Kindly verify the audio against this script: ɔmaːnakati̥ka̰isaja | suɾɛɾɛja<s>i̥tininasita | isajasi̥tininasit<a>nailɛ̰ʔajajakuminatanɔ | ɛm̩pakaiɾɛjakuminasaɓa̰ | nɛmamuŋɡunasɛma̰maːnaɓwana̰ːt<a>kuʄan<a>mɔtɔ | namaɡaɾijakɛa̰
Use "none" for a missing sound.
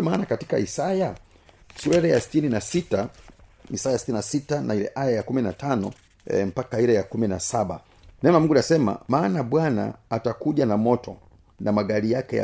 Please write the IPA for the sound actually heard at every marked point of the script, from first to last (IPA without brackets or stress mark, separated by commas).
s, a, a, a